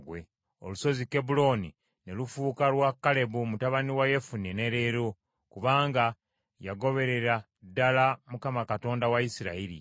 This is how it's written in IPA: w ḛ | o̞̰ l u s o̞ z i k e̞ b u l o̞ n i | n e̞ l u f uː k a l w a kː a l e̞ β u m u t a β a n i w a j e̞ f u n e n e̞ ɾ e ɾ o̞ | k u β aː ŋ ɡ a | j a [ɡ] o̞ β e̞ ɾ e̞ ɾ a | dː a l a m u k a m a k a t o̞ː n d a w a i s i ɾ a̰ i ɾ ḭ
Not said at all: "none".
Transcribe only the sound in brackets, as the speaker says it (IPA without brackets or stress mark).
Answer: ɡ